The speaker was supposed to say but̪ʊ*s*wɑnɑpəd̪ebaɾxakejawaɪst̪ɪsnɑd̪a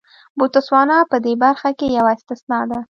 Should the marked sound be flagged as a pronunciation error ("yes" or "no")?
no